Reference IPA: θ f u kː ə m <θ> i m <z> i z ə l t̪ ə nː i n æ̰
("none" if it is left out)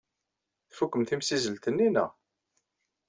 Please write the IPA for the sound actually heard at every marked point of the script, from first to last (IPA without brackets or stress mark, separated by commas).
θ, s